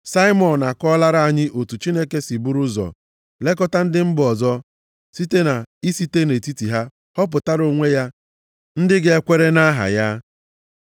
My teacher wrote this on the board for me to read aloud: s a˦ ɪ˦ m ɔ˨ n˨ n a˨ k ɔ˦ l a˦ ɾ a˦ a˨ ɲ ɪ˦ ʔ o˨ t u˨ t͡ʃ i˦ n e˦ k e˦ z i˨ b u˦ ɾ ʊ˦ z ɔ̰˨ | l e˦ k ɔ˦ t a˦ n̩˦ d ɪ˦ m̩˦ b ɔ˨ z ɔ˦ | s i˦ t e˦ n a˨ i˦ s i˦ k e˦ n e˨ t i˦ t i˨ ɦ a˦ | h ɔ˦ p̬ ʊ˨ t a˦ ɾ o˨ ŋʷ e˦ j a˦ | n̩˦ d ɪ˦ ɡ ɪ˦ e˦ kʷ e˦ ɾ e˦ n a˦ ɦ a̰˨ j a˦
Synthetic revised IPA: s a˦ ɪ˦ m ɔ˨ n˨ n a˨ k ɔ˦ l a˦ ɾ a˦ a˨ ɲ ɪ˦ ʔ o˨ t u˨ t͡ʃ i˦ n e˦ k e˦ s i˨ b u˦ ɾ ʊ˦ z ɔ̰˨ | l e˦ k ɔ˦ t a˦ n̩˦ d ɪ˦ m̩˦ b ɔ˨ z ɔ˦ | s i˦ t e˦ n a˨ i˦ s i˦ t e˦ n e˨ t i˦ t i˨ ɦ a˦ | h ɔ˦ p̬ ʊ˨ t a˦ ɾ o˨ ŋʷ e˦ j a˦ | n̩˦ d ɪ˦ ɡ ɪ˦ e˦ kʷ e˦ ɾ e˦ n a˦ ɦ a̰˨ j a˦